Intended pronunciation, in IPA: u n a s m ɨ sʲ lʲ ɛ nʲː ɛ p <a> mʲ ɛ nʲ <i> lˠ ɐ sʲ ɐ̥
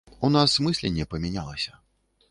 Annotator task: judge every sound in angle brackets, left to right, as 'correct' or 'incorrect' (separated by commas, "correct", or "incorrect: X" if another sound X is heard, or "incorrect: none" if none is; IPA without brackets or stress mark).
incorrect: ɐ, incorrect: a